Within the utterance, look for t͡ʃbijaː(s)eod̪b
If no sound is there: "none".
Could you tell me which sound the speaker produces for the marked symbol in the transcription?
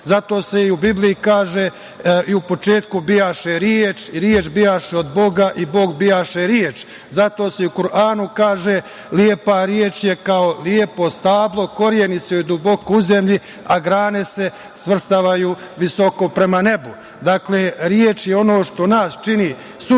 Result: ʃ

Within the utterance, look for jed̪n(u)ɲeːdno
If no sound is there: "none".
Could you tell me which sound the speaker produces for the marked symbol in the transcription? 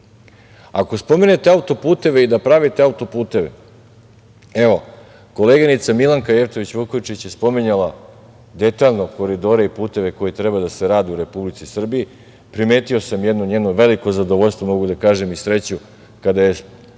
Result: o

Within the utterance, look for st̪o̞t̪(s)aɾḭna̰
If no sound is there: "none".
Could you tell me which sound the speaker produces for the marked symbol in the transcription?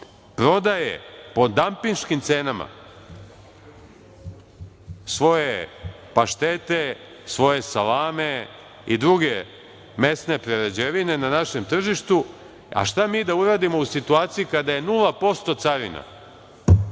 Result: s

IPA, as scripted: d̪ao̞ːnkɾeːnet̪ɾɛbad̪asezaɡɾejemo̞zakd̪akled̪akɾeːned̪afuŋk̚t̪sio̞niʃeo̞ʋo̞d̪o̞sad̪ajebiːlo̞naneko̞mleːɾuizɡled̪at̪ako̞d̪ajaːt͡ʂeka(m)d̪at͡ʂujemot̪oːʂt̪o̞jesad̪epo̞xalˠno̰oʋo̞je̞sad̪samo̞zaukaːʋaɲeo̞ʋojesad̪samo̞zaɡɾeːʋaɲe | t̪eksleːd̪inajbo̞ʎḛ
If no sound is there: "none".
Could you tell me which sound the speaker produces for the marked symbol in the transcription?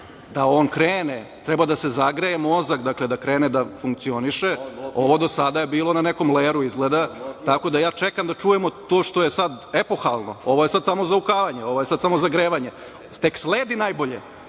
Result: m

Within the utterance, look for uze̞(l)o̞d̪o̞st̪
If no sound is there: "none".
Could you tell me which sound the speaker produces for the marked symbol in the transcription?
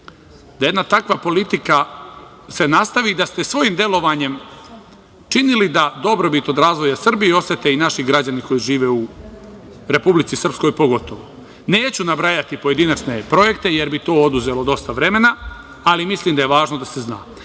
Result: l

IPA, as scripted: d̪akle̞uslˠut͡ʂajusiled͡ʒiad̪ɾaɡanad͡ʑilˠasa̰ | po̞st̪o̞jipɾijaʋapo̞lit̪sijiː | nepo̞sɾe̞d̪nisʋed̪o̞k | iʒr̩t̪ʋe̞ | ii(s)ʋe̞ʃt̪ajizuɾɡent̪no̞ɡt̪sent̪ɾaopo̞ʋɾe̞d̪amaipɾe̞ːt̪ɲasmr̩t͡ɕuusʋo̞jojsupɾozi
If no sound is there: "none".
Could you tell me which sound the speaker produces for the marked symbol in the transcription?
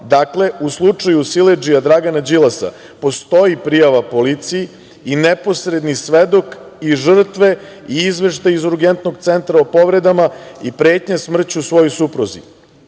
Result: z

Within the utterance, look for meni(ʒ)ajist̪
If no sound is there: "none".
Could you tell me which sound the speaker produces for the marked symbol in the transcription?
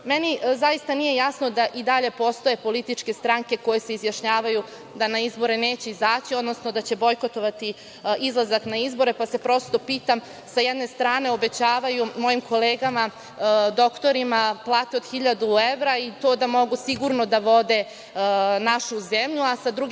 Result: z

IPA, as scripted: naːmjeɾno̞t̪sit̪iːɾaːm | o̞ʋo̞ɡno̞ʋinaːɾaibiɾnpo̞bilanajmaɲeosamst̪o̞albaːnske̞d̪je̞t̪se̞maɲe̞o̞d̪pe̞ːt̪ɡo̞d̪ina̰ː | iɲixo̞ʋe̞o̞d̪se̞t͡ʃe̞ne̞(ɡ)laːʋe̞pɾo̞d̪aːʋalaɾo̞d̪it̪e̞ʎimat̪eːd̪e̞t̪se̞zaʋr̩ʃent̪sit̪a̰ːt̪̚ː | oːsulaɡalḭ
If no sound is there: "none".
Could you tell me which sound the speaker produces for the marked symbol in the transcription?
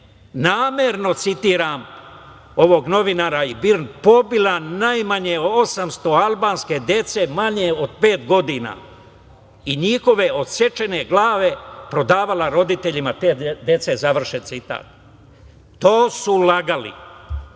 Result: ɡ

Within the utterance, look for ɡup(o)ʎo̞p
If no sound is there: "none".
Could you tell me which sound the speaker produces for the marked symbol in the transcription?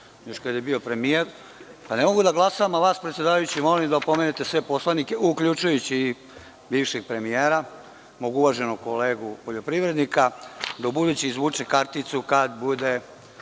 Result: o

